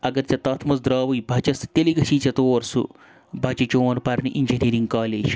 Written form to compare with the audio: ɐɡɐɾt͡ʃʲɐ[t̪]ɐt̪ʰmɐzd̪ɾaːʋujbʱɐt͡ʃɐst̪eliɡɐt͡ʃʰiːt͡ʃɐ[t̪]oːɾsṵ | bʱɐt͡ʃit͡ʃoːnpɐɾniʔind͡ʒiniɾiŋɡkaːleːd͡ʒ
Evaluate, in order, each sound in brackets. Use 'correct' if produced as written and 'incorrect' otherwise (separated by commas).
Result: correct, correct